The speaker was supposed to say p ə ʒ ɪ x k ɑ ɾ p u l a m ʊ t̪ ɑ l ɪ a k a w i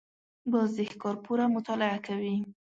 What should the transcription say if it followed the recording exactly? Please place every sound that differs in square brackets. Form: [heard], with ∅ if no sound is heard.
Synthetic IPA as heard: [b] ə [z] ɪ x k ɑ ɾ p u [ɾ] a m ʊ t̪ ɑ l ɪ a k a w i